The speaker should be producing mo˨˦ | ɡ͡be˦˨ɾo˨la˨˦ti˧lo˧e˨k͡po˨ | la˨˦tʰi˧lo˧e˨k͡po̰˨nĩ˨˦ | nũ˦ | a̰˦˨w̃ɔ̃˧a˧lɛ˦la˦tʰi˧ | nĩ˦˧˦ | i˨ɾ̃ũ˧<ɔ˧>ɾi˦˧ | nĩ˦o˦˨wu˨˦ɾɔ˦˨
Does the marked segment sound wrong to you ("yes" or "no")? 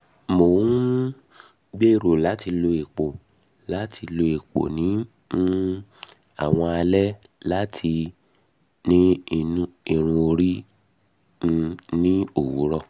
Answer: yes